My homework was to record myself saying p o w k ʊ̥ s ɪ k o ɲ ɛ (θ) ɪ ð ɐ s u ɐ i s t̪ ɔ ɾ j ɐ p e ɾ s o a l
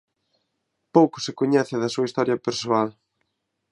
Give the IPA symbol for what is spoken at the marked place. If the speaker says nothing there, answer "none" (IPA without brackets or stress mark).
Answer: θ